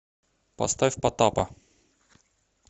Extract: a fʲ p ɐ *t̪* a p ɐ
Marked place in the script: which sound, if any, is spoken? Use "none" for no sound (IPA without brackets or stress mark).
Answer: t̪